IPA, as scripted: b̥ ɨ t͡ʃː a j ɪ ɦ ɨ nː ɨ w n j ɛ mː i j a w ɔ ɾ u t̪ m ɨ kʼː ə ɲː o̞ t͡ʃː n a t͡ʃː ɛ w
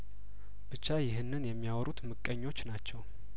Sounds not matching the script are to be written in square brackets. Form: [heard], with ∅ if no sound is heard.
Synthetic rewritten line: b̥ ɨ t͡ʃː a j ɪ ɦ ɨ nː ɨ [∅] n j ɛ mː i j a w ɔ ɾ u t̪ m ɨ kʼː ə ɲː o̞ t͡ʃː n a t͡ʃː ɛ w

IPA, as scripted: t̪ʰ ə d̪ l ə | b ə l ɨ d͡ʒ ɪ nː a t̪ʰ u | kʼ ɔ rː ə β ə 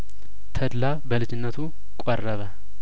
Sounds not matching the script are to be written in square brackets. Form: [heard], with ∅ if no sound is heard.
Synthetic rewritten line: t̪ʰ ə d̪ l [a] | b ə l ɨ d͡ʒ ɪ nː [ə] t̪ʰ u | kʼ ɔ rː ə β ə

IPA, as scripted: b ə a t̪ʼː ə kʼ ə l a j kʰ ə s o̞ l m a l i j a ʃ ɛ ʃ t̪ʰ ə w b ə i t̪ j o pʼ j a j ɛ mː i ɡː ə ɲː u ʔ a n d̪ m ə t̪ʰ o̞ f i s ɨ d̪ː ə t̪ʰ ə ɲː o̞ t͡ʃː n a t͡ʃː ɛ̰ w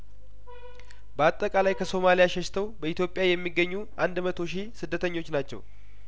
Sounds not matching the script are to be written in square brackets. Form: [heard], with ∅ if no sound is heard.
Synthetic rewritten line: b ə a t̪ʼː ə kʼ [a] l a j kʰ ə s o̞ [∅] m a l i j a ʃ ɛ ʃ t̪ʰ ə w b ə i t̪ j o pʼ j a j ɛ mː i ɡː ə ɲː u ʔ a n d̪ m ə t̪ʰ o̞ [ʃ] i s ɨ d̪ː ə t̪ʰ ə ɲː o̞ t͡ʃː n a t͡ʃː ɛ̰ w

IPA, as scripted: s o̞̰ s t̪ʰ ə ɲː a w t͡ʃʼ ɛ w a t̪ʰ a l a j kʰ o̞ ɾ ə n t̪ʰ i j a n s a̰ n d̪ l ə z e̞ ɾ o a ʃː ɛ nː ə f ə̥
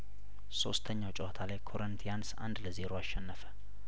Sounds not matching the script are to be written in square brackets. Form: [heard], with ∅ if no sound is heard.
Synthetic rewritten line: s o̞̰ s t̪ʰ ə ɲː a w t͡ʃʼ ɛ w a t̪ʰ a l a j kʰ o̞ ɾ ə n t̪ʰ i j a n s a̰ n d̪ l ə z e̞ ɾ o a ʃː ɛ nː ə f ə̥

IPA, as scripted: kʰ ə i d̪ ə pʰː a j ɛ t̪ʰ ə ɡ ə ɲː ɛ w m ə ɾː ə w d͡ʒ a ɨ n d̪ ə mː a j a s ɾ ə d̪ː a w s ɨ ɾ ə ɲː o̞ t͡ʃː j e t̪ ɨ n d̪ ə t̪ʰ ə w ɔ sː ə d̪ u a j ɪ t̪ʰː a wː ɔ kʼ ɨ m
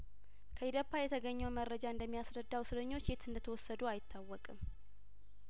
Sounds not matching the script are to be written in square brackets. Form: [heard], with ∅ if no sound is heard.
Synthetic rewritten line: kʰ ə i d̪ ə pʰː a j ɛ t̪ʰ ə ɡ ə ɲː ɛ w m ə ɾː ə [∅] d͡ʒ a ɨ n d̪ ə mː [i] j a s ɾ ə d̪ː a w s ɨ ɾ ə ɲː o̞ t͡ʃː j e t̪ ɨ n d̪ ə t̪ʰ ə w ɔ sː ə d̪ u a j ɪ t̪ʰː a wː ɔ kʼ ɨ m

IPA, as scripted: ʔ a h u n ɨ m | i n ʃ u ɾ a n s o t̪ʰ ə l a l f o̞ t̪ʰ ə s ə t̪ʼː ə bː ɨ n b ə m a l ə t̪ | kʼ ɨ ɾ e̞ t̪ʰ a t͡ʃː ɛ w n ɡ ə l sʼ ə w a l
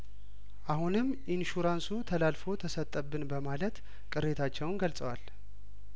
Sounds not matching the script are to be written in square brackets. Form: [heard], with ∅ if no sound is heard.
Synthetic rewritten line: ʔ a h u n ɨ m | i n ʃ u ɾ a n s [u] t̪ʰ ə l a l f o̞ t̪ʰ ə s ə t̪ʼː ə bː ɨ n b ə m a l ə t̪ | kʼ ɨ ɾ e̞ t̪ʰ a t͡ʃː ɛ w n ɡ ə l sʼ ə w a l

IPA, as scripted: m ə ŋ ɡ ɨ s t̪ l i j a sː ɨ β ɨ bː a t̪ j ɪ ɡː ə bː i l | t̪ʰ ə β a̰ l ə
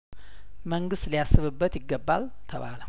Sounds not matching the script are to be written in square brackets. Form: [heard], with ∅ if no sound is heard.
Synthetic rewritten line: m ə ŋ ɡ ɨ s t̪ l i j a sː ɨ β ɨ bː [ə] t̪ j ɪ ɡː ə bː [a] l | t̪ʰ ə β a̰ l ə

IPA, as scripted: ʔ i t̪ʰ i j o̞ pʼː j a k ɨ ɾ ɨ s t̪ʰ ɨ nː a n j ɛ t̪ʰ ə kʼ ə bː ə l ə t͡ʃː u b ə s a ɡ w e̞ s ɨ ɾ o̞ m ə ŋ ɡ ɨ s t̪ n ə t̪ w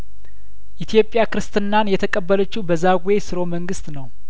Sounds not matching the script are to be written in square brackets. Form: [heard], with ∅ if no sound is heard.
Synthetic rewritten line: ʔ i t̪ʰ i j o̞ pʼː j a k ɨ ɾ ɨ s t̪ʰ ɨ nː a n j ɛ t̪ʰ ə kʼ ə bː ə l ə t͡ʃː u b ə [z] a ɡ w e̞ s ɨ ɾ o̞ m ə ŋ ɡ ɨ s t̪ n ə [∅] w

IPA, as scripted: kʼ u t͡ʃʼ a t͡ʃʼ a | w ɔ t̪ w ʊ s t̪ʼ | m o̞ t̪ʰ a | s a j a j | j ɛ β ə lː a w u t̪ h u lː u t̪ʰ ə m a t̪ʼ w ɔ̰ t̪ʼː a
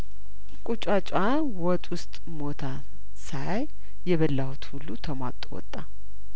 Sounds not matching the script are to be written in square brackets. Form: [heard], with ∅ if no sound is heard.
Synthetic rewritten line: kʼ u t͡ʃʼ a t͡ʃʼ a | w ɔ [t̪ʼ] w ʊ s t̪ʼ | m o̞ t̪ʰ a | s a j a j | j ɛ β ə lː a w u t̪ h u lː u t̪ʰ ə m a t̪ʼ w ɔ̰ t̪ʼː a

